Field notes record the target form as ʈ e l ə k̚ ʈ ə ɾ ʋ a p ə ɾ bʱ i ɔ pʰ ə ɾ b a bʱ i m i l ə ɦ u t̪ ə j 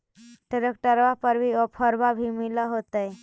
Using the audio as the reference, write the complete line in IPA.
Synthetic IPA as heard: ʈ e ɾ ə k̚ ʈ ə ɾ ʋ a p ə ɾ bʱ i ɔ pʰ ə ɾ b a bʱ i m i l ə ɦ o t̪ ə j